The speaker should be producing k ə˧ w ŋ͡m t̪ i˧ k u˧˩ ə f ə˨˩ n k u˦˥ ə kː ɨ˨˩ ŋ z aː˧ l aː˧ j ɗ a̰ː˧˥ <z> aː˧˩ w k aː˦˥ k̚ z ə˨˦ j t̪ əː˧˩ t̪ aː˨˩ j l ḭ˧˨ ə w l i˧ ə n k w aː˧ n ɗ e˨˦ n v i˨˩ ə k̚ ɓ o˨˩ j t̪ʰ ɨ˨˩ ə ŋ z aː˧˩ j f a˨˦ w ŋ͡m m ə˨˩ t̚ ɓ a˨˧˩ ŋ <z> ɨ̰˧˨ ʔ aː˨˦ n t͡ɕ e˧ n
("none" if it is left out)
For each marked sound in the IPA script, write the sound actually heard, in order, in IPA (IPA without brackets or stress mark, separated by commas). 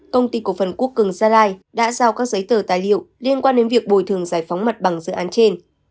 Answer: z, z